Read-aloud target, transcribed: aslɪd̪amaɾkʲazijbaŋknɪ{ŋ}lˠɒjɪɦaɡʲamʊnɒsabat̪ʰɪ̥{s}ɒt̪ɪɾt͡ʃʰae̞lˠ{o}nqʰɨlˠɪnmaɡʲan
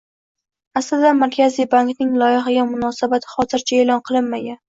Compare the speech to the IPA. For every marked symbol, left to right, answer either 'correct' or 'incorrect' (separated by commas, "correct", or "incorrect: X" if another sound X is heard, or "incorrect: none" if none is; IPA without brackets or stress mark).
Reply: correct, incorrect: χ, incorrect: ɒ